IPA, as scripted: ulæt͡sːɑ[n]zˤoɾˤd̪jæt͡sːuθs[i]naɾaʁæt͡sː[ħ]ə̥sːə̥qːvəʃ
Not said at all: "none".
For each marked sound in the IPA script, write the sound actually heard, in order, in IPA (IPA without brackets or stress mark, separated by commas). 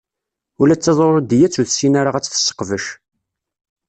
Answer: none, i, θ